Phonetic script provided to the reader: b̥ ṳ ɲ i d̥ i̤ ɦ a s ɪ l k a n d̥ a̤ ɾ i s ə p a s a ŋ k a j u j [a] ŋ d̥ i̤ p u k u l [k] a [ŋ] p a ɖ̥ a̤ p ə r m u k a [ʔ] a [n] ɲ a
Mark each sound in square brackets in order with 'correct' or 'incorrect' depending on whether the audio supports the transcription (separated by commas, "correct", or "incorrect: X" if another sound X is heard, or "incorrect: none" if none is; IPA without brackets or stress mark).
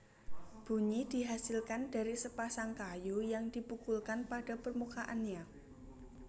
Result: correct, correct, incorrect: n, correct, correct